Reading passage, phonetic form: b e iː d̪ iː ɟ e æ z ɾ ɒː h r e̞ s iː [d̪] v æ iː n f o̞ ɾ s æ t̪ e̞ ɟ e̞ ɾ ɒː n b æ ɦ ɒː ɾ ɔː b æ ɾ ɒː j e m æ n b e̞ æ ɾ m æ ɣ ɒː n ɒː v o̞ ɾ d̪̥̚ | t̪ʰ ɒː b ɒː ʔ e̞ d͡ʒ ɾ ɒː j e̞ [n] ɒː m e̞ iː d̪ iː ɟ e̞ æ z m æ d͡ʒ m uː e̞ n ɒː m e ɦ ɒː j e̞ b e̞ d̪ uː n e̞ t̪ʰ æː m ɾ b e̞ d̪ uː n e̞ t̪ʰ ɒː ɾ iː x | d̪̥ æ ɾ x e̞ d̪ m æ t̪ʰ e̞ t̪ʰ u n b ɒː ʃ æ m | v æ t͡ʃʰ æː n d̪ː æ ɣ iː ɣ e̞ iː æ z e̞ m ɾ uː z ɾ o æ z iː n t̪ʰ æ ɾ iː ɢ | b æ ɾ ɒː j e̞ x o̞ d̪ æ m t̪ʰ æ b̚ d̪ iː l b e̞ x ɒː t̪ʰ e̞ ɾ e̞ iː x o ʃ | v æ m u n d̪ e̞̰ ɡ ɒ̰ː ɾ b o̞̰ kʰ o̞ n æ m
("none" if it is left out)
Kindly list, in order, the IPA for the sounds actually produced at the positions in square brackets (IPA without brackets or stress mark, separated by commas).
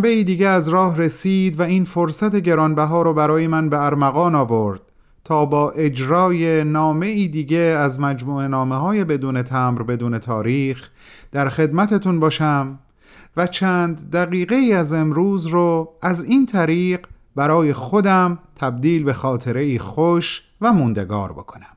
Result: d̪, n